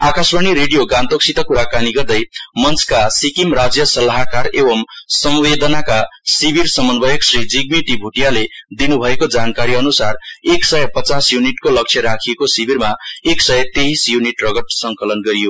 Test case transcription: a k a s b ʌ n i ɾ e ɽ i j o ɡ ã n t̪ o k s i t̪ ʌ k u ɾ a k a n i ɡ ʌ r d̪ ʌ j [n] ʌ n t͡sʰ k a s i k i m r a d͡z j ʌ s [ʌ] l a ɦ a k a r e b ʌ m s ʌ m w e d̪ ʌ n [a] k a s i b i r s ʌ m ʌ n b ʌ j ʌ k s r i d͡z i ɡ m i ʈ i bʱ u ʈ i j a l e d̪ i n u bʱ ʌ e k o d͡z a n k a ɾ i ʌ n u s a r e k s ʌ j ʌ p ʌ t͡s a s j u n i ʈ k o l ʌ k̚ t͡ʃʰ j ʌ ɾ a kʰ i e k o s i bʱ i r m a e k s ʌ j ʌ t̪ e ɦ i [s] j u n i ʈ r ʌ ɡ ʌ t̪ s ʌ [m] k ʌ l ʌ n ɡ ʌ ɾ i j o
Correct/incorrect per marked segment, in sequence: incorrect: m, correct, correct, correct, incorrect: ŋ

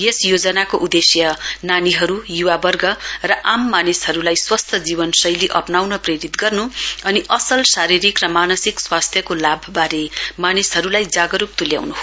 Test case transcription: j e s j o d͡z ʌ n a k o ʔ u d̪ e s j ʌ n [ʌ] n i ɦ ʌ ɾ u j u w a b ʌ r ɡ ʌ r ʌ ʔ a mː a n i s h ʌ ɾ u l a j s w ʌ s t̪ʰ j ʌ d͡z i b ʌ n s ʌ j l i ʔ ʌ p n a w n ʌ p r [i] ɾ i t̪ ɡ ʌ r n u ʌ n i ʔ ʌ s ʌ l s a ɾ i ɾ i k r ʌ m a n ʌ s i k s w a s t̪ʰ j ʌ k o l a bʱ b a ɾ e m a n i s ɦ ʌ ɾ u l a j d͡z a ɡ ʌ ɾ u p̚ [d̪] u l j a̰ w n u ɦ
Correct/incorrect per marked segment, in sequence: incorrect: a, incorrect: e, incorrect: t̪

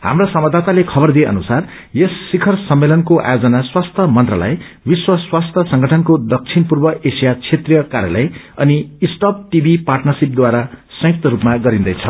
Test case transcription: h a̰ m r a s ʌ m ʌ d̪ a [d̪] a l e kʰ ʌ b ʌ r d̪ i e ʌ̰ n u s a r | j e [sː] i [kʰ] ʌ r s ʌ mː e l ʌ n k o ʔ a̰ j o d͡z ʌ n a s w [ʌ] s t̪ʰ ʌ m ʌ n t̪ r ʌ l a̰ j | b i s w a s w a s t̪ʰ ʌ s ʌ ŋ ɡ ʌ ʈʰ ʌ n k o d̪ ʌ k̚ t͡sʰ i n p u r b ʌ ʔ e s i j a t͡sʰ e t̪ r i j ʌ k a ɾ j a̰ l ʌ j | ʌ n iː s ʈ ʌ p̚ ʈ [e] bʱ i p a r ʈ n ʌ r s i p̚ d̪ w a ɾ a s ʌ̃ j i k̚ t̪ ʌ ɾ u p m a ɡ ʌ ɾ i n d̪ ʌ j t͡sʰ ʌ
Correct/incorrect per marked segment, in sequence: incorrect: t̪, correct, correct, incorrect: a, incorrect: i

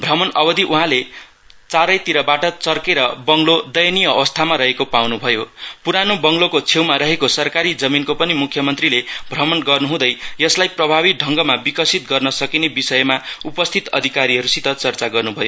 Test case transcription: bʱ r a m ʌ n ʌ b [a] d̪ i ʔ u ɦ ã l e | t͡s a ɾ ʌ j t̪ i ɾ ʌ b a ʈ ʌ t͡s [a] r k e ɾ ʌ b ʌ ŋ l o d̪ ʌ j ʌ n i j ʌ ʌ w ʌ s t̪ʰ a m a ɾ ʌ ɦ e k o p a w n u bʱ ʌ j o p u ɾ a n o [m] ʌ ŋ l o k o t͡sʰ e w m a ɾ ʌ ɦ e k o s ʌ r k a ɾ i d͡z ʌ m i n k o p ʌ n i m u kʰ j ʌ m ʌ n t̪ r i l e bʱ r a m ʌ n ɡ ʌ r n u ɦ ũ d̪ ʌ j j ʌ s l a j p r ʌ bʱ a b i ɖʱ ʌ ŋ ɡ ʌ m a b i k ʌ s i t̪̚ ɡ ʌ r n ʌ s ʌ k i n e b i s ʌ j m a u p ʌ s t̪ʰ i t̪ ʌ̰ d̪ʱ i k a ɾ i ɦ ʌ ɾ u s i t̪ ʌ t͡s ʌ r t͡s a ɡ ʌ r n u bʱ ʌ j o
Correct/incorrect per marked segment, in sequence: incorrect: ʌ, incorrect: ʌ, incorrect: b

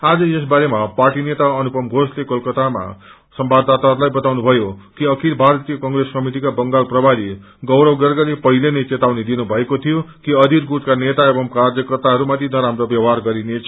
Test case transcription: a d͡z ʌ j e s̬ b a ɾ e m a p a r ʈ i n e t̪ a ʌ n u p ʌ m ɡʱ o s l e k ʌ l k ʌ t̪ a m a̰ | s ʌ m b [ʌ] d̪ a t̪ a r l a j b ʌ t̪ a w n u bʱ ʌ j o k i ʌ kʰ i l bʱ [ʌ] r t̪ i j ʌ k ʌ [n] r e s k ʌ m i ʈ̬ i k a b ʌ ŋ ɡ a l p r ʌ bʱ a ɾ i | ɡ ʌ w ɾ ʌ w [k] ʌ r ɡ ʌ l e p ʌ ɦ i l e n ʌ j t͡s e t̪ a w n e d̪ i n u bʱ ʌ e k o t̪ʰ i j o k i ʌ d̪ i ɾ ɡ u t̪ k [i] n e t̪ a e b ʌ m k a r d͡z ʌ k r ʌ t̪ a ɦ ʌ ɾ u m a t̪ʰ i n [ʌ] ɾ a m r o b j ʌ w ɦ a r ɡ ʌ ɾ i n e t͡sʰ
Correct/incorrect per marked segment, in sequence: incorrect: a, incorrect: a, incorrect: ŋ, incorrect: ɡ, incorrect: a, correct

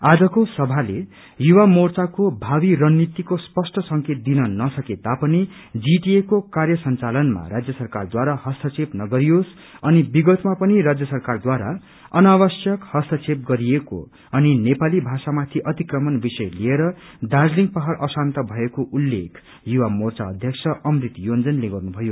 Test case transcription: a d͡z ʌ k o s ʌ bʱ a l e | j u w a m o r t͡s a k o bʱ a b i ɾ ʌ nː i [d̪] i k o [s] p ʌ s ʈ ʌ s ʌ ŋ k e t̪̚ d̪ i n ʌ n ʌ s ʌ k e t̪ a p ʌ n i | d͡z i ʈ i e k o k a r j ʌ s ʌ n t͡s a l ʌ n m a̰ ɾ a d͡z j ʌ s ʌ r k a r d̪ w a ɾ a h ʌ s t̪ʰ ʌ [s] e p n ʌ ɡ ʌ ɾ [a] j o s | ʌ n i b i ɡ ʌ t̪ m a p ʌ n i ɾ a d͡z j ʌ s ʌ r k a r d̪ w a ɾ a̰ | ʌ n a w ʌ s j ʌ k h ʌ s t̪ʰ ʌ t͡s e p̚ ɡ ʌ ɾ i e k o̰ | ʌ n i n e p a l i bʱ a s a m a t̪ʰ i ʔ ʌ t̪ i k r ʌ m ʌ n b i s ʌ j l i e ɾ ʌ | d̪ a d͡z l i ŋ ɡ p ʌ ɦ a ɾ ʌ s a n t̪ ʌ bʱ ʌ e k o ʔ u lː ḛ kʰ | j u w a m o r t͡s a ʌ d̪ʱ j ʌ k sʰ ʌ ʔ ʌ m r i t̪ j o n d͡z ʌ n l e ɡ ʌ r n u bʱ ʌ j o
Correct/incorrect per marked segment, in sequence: incorrect: t̪, correct, incorrect: t͡s, incorrect: i

